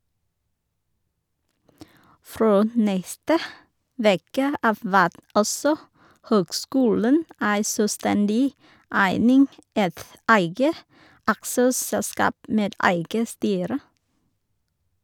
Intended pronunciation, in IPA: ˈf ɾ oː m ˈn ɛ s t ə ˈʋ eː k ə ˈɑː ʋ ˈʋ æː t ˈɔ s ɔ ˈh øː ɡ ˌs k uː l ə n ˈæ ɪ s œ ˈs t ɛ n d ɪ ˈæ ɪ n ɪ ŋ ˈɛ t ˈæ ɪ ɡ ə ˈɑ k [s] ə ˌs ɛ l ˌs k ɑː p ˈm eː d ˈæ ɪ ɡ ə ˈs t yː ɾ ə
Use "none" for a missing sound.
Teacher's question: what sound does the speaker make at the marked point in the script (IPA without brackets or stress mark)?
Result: s